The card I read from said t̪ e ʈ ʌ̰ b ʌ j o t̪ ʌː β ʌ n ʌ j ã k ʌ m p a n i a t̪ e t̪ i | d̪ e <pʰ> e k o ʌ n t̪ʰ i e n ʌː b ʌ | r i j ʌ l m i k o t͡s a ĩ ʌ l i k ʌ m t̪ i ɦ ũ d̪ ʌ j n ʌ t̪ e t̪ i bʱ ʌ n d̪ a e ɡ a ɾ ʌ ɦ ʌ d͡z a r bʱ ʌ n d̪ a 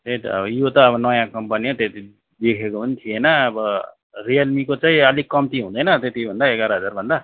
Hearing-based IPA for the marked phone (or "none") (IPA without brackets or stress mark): kʰ